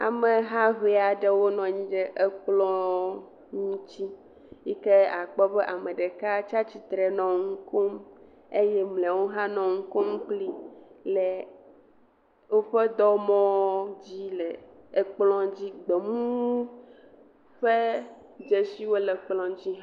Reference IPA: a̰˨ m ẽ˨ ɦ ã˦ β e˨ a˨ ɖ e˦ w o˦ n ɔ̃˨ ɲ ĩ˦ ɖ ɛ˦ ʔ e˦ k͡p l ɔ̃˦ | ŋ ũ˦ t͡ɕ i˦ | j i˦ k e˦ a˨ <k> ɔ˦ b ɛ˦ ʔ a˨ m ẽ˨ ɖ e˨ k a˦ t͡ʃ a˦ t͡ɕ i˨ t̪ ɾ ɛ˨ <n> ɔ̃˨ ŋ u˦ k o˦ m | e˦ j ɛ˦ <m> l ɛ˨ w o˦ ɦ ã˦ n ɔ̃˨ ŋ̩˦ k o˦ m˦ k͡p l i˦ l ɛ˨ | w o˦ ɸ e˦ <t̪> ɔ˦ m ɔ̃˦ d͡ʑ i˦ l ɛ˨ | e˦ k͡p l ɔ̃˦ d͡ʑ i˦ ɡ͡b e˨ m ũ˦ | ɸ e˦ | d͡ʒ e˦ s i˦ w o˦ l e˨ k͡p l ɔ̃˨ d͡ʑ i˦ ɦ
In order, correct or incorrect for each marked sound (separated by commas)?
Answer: incorrect, correct, correct, incorrect